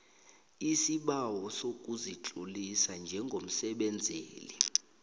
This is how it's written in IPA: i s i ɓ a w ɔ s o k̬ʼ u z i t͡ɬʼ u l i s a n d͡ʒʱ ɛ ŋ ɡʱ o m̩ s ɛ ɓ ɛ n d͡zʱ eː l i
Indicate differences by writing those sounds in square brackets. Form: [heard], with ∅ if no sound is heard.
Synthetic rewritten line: i s i ɓ a w ɔ s o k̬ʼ u z i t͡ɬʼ u l i s a n d͡ʒʱ ɛ ŋ ɡʱ o m̩ s ɛ ɓ ɛ n d͡zʱ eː l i